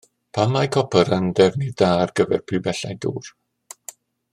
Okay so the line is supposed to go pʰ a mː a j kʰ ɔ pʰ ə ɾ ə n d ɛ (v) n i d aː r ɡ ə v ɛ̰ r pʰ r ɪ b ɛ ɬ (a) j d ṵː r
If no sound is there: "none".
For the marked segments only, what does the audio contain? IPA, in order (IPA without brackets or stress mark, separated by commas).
v, a